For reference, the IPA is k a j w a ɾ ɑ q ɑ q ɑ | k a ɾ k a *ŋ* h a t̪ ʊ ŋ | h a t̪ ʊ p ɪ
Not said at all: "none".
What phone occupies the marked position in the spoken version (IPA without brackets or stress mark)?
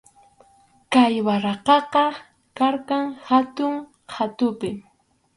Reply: ŋ